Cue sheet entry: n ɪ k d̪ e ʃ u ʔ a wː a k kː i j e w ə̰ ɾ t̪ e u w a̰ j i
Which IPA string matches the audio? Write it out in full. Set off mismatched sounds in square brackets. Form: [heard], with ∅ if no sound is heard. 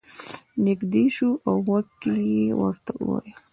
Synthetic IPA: n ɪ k d̪ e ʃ u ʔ a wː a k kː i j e w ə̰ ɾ t̪ [a] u w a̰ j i